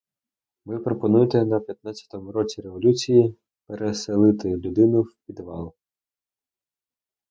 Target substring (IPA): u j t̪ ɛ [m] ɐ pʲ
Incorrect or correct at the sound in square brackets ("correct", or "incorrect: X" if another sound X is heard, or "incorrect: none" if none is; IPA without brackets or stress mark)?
incorrect: n